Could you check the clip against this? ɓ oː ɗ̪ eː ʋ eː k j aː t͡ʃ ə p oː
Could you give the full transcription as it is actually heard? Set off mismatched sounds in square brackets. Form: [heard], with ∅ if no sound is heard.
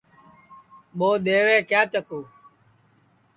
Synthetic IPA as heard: ɓ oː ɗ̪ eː ʋ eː k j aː t͡ʃ ə [k] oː